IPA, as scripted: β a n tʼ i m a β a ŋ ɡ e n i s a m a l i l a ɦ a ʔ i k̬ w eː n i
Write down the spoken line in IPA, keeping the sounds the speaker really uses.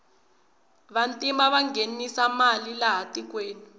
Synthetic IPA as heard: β a n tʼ i m a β a ŋ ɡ e n i s a m a l i l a ɦ a t i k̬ w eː n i